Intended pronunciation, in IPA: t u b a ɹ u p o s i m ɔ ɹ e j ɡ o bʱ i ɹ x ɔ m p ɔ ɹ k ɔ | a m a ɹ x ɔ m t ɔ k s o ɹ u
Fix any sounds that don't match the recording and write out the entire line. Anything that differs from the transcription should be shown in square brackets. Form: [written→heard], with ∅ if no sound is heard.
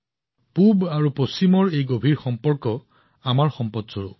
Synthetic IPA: [t→p] u b a ɹ u p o s i m ɔ ɹ e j ɡ o bʱ i ɹ x ɔ m p ɔ ɹ k ɔ | a m a ɹ x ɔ m [t→p] ɔ [k→t] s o ɹ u